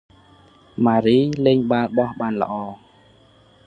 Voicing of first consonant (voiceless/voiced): voiced